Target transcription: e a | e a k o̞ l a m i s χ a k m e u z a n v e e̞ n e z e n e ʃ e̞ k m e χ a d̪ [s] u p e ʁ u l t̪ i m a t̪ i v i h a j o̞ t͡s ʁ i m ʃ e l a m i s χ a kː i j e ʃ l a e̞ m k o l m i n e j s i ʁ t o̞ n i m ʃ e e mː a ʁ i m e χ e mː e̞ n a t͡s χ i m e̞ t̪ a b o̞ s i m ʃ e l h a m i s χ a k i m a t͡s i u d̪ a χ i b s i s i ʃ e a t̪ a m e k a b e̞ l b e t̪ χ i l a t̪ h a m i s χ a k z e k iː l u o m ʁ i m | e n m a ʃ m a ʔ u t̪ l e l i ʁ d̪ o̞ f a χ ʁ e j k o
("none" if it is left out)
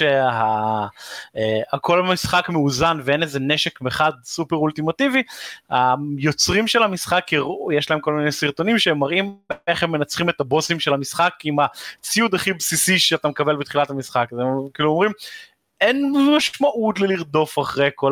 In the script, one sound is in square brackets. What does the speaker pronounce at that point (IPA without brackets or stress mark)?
s